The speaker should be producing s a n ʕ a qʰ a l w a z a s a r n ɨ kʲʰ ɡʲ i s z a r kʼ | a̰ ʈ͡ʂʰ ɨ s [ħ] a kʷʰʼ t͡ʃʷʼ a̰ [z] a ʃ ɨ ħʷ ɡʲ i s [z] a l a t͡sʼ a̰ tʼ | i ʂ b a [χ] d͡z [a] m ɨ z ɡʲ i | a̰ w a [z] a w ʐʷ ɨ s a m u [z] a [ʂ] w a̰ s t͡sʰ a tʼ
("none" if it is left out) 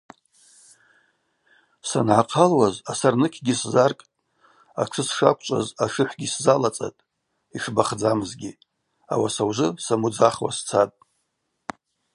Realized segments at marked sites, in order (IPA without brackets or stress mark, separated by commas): ʂ, z, z, χ, a, s, d͡z, χ